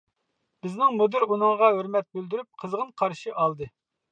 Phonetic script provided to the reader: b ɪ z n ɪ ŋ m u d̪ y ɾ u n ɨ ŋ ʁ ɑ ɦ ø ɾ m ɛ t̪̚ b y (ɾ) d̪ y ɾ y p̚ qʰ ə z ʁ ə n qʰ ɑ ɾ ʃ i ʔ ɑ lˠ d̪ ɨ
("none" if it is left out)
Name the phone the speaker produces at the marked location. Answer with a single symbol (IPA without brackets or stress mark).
l